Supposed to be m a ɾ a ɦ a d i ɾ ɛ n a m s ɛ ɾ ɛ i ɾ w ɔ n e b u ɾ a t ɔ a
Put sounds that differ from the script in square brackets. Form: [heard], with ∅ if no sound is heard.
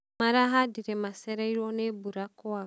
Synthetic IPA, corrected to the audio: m a ɾ a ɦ a d i ɾ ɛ [m] a [∅] s ɛ ɾ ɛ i ɾ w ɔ n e b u ɾ a [k] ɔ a